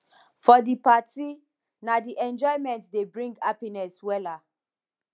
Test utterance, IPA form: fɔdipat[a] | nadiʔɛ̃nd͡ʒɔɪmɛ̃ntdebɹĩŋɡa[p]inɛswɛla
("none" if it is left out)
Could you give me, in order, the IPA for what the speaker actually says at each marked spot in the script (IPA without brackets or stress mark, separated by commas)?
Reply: i, p